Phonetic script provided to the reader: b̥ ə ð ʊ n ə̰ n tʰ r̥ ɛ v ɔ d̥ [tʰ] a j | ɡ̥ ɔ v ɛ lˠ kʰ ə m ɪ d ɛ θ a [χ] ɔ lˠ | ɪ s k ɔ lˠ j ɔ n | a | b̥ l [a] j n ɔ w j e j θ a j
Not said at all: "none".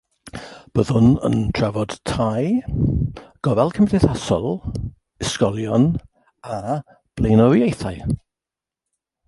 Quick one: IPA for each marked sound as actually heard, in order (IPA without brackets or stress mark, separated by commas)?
tʰ, s, e